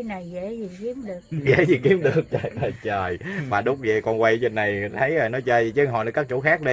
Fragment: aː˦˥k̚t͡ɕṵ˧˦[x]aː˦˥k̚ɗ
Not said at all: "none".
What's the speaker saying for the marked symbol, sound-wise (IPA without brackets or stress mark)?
x